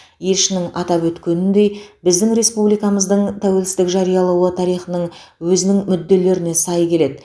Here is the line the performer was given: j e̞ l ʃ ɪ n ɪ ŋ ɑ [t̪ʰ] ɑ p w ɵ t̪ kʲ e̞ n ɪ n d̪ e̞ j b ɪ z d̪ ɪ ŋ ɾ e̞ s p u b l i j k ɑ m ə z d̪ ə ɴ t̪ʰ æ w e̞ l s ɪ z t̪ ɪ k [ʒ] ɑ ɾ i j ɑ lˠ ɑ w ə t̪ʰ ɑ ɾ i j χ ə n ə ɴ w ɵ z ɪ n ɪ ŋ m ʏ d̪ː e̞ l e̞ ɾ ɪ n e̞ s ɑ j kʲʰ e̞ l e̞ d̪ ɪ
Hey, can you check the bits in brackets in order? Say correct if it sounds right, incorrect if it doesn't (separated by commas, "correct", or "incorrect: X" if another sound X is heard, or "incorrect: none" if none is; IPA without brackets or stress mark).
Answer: incorrect: t̪, correct